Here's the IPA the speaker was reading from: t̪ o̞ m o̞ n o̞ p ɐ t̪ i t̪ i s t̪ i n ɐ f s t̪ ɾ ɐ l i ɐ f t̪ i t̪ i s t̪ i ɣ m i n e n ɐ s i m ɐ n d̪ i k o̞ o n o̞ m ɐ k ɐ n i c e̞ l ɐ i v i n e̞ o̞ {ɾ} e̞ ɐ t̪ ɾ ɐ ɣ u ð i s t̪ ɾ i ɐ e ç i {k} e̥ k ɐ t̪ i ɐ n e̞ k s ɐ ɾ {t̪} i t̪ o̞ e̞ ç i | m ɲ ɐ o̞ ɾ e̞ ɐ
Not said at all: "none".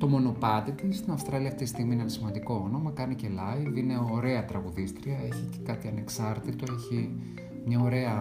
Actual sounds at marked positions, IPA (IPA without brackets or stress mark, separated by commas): ɾ, c, t̪